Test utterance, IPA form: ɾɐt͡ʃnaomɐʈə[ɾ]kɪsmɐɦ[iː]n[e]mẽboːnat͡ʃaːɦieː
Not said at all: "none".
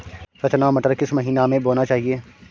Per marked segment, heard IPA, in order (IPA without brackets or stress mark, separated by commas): ɾ, iː, a